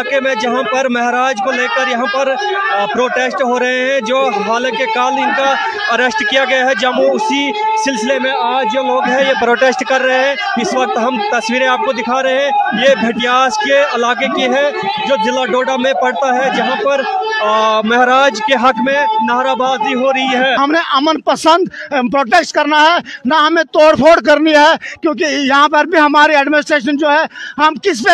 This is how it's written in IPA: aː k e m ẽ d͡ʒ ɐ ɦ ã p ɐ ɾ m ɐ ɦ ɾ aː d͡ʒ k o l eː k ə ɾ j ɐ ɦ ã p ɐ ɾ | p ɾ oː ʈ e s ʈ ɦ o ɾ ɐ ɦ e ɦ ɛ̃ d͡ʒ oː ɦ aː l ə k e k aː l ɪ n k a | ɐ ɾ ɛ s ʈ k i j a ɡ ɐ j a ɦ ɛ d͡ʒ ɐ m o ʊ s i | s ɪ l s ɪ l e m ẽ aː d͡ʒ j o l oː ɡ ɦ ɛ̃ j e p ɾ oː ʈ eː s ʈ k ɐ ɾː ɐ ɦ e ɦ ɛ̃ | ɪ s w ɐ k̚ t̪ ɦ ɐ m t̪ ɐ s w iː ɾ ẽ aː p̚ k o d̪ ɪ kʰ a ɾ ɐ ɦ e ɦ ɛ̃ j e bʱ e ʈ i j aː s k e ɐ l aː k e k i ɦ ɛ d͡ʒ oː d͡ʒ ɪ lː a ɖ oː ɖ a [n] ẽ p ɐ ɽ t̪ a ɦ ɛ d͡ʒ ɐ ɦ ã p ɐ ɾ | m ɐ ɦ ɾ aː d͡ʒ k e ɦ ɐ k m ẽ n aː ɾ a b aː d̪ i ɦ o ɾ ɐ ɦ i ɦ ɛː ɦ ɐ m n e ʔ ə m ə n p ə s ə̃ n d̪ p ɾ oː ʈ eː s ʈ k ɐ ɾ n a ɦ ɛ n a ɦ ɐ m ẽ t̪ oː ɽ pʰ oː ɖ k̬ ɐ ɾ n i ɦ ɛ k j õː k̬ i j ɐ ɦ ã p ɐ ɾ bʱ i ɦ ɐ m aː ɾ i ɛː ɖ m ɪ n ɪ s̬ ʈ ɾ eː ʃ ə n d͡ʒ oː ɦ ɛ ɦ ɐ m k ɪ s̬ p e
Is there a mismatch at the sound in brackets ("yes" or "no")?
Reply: yes